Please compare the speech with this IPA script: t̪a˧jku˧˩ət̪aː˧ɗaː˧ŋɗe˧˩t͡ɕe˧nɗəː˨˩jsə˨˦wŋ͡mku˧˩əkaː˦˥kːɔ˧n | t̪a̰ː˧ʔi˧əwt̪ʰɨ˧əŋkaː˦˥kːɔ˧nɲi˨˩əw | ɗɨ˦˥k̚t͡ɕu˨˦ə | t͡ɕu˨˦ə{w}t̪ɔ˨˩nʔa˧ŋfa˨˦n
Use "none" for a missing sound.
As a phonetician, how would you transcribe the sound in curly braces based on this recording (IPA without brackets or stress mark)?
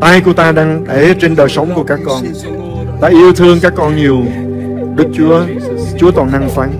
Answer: none